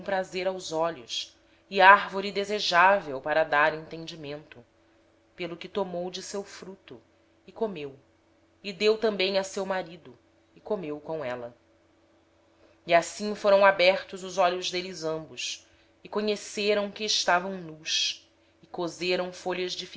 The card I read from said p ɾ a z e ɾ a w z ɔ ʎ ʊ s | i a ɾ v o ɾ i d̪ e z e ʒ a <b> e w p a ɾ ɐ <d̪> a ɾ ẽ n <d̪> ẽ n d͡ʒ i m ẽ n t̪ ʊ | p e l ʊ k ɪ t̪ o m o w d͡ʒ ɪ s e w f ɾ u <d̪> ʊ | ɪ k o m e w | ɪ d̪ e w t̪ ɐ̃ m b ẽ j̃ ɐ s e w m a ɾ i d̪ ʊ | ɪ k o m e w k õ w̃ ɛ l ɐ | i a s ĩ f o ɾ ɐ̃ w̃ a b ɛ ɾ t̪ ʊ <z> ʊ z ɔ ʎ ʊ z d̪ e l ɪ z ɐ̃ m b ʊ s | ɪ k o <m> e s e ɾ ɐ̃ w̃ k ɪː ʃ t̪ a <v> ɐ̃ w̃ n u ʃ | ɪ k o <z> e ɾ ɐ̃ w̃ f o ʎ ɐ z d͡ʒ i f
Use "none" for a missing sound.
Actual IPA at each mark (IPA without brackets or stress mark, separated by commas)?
v, d̪, t̪, t̪, z, ɲ, v, z